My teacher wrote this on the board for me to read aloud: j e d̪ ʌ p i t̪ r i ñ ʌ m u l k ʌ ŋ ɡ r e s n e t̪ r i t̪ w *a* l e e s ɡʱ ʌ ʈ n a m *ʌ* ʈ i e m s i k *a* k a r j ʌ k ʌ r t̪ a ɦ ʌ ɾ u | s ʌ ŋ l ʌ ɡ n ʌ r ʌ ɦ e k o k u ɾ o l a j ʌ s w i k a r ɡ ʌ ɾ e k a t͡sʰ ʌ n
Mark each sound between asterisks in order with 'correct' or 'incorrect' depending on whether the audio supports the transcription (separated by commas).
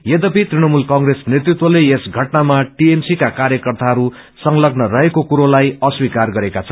incorrect, incorrect, correct